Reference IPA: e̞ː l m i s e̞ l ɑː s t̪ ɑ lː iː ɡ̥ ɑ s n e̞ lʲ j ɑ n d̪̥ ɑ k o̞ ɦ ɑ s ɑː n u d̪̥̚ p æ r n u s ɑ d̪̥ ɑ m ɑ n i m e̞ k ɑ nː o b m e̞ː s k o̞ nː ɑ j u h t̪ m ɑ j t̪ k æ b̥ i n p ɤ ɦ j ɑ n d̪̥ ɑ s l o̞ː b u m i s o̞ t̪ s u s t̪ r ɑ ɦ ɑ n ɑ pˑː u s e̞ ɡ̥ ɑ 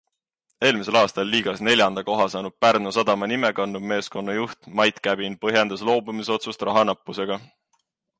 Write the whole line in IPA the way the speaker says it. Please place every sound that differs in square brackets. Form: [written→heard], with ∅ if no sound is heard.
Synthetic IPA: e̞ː l m i s e̞ l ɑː s t̪ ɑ lː iː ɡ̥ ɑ s n e̞ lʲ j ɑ n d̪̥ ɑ k o̞ ɦ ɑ s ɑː n u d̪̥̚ p æ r n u s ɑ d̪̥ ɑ m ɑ n i m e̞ k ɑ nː [o→u] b m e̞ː s k o̞ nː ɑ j u h t̪ m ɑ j t̪ k æ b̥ i n p ɤ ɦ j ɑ n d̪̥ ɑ s l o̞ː b u m i s o̞ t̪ s u s t̪ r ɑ ɦ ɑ n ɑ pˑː u s e̞ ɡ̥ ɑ

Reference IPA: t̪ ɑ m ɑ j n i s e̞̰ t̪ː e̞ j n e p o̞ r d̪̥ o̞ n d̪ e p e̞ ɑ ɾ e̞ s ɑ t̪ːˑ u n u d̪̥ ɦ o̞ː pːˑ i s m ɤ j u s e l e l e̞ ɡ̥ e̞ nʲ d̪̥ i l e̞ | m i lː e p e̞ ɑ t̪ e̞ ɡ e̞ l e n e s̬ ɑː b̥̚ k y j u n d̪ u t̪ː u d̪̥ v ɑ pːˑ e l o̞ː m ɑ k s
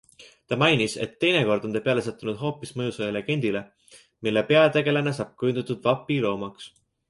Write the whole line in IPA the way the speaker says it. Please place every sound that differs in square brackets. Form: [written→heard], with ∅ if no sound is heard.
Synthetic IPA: t̪ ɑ m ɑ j n i s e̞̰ t̪ː e̞ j n e [p→k] o̞ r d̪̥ o̞ n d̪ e p e̞ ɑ [ɾ→l] e̞ s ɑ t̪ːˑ u n u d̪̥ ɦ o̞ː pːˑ i s m ɤ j u s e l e l e̞ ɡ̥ e̞ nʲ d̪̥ i l e̞ | m i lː e p e̞ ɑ t̪ e̞ ɡ e̞ l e n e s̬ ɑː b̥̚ k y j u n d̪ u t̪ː u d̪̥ v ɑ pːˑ [e→i] l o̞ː m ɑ k s

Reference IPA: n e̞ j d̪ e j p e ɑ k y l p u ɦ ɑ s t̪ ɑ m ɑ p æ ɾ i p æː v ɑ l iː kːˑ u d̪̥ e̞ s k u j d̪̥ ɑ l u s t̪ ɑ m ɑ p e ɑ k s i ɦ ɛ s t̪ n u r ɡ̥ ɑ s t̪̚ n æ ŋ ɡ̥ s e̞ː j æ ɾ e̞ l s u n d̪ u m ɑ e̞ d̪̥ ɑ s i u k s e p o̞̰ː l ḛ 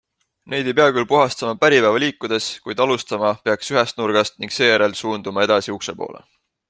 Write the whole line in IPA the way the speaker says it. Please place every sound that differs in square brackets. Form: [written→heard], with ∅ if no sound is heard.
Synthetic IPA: n e̞ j d̪ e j p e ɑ k y l p u ɦ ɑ s t̪ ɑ m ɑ p æ ɾ i p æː v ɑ l iː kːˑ u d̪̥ e̞ s k u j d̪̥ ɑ l u s t̪ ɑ m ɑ p e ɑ k s [i→y] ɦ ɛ s t̪ n u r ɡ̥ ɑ s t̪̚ n [æ→i] ŋ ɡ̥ s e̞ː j æ ɾ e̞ l s [u→uː] n d̪ u m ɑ e̞ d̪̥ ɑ s i u k s e p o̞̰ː l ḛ

